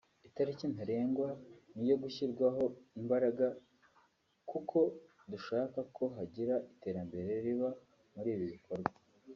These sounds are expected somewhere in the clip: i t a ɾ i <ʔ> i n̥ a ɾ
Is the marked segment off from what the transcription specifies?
yes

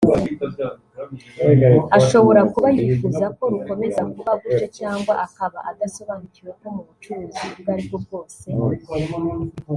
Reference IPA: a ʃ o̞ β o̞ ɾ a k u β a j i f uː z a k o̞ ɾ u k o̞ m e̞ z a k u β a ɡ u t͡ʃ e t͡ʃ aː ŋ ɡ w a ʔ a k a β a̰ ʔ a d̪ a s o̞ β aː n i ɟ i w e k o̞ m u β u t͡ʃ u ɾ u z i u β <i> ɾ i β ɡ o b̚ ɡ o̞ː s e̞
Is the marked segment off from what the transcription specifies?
yes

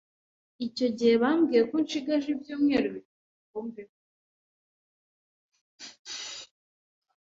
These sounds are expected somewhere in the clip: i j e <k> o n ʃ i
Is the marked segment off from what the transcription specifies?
no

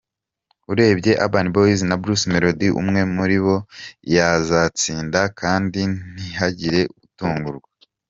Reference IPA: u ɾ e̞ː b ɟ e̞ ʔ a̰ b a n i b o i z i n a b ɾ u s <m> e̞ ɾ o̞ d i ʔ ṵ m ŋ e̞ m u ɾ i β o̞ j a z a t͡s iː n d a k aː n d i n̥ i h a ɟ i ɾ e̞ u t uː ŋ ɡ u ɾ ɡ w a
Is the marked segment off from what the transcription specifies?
no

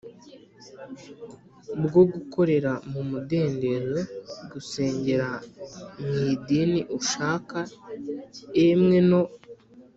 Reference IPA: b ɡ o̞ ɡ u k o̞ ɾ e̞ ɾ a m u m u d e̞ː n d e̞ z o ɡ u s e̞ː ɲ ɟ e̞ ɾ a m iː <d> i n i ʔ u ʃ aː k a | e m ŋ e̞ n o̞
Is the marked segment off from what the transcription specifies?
no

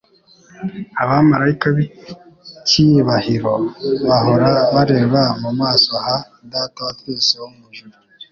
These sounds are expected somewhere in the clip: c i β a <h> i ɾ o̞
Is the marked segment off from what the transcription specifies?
no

